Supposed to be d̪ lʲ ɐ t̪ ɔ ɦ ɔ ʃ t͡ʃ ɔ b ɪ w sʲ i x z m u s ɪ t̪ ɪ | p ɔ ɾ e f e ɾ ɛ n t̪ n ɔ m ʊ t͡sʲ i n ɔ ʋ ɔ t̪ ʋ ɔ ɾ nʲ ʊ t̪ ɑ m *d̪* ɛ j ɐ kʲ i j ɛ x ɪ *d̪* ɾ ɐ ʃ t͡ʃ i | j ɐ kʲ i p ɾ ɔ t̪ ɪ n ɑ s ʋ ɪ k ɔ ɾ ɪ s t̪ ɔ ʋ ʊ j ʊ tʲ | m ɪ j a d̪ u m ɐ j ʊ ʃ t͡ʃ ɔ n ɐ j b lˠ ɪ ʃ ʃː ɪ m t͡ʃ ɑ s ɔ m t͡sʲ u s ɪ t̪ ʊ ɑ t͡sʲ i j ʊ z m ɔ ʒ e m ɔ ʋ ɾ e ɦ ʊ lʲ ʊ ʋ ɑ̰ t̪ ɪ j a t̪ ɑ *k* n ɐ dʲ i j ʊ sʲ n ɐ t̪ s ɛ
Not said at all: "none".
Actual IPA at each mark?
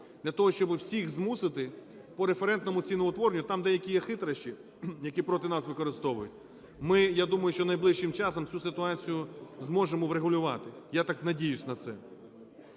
d̪, t̪, k

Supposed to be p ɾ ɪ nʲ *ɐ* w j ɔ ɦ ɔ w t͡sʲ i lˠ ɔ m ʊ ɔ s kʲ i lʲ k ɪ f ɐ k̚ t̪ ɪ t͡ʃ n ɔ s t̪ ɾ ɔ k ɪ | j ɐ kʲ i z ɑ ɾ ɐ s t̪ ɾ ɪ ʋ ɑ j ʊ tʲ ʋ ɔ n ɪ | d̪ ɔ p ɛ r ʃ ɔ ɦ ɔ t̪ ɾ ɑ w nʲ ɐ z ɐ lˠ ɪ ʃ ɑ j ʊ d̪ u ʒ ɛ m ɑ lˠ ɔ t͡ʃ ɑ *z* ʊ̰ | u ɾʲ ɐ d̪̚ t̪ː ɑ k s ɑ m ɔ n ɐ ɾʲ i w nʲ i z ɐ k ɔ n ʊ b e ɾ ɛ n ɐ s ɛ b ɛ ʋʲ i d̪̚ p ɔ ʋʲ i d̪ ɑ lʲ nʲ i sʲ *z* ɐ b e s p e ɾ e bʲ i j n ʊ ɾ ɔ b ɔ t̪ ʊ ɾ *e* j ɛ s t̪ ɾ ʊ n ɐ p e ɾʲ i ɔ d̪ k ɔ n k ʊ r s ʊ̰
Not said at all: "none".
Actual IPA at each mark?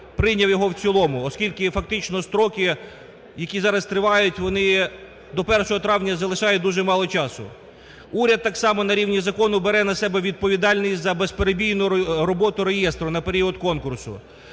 ɐ, s, z, e

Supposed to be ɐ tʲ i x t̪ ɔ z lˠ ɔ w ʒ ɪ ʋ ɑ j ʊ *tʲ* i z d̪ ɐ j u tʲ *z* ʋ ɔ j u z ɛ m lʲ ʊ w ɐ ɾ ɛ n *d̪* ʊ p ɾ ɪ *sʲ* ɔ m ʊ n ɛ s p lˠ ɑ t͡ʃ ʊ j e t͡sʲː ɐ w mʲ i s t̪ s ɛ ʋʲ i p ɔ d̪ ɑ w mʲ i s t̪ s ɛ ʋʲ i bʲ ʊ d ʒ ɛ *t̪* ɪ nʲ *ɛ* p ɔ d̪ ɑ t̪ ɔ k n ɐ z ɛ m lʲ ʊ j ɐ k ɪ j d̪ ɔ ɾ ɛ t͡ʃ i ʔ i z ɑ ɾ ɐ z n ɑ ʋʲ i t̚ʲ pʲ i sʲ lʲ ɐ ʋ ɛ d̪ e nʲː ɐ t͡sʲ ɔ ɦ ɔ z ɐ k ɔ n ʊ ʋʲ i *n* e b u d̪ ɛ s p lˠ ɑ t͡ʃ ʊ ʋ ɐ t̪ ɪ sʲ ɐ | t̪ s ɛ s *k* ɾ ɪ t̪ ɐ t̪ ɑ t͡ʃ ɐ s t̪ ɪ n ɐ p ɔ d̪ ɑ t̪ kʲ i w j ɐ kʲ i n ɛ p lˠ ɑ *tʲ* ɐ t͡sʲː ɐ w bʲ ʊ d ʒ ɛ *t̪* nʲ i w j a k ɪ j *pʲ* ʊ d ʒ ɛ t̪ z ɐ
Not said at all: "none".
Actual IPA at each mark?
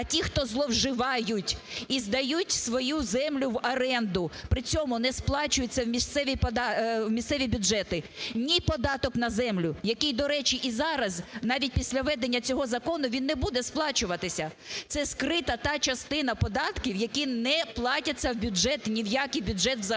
tʲ, s, d̪, t͡sʲ, t̪, i, nː, k, tʲ, t̪, bʲ

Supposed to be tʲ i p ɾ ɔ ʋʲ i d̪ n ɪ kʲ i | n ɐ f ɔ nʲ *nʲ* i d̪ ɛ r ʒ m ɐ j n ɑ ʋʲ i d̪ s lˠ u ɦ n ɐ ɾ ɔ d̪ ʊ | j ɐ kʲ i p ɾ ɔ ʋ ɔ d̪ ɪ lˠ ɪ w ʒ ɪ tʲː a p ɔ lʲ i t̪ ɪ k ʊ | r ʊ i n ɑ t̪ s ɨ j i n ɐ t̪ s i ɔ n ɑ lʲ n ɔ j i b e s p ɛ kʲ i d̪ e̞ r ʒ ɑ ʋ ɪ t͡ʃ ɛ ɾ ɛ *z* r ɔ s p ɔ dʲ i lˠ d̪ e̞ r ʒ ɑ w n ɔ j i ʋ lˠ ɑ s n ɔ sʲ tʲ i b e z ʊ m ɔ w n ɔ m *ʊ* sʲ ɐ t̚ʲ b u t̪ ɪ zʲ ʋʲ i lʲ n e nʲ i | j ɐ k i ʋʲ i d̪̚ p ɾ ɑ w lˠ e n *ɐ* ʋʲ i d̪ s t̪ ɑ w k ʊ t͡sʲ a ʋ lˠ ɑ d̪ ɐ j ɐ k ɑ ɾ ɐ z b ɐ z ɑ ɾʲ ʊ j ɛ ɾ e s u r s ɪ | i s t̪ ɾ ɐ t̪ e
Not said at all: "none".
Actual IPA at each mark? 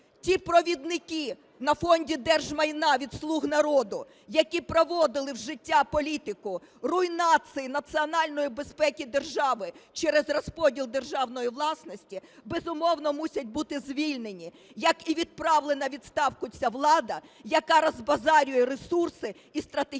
dʲ, z, u, ɐ

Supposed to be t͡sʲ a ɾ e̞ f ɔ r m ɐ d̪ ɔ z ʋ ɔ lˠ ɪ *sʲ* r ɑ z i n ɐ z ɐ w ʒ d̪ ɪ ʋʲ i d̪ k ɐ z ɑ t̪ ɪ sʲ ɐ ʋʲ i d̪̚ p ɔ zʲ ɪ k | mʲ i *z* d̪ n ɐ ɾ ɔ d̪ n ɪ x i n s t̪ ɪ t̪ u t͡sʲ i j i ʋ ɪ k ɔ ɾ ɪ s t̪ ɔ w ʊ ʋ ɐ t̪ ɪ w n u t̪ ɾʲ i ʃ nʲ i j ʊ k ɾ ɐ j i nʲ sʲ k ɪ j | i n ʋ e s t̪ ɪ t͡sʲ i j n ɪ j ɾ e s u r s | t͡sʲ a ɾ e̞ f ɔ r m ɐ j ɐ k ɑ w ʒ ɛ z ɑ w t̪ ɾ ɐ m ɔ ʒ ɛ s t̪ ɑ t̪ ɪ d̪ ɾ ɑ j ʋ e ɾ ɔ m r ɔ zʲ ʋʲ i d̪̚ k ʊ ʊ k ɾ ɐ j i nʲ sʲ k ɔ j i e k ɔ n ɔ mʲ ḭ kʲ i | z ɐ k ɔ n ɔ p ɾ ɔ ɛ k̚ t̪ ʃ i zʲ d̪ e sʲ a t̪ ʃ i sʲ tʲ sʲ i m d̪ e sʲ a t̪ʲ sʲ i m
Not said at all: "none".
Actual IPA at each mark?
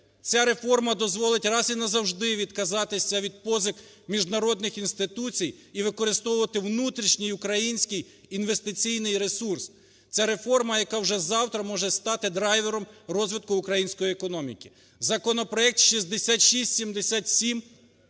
tʲ, ʒ

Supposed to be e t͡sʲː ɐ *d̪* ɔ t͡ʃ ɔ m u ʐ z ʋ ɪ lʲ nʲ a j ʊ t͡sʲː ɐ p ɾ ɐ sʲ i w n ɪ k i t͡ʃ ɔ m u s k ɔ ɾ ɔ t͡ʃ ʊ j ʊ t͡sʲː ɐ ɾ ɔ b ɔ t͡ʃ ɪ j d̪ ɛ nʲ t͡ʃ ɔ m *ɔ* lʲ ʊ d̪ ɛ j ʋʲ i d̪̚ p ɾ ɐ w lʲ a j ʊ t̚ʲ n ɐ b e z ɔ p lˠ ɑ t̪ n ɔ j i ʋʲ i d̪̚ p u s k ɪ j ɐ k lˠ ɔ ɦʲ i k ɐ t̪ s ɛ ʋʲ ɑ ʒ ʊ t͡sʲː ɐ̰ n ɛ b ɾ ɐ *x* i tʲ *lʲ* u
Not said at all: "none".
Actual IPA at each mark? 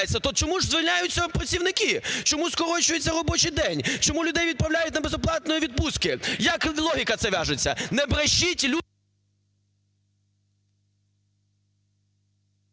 t̪, u, ʃ, lʲ

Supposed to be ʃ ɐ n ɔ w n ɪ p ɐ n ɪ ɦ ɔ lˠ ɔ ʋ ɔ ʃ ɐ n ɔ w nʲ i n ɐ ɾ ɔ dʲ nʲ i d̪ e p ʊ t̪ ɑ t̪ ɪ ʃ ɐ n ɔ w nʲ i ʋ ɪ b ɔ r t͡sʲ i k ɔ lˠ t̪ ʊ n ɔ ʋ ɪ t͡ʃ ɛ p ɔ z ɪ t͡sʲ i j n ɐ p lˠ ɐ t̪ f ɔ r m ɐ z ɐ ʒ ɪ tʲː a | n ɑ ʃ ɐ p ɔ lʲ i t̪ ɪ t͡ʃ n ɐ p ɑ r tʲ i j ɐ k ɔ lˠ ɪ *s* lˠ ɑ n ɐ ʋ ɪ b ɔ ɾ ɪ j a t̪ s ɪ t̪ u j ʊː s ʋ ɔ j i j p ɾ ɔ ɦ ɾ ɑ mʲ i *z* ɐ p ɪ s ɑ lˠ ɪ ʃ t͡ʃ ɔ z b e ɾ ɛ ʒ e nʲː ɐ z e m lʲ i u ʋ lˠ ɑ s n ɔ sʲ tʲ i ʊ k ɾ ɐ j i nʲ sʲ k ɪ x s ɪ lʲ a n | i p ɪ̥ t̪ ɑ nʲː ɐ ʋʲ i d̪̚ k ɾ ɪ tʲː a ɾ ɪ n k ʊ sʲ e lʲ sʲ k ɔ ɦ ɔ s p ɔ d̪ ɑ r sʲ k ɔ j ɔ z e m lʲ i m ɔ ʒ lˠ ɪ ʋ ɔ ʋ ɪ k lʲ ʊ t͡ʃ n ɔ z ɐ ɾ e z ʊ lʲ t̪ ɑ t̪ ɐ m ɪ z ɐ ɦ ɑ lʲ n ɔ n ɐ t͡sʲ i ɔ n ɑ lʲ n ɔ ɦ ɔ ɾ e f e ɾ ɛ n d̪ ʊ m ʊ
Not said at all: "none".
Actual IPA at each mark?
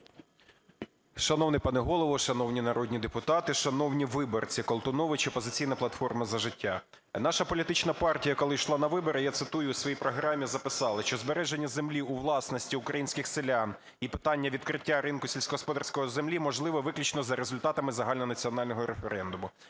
ʃ, z

